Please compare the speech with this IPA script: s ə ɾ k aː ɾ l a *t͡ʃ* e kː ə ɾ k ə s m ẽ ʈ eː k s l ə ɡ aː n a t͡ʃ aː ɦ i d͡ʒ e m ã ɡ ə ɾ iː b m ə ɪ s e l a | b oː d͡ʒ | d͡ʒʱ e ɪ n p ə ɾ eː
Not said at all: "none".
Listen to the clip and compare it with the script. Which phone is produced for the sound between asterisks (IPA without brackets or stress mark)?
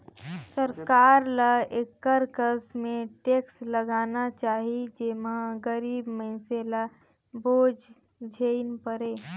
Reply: none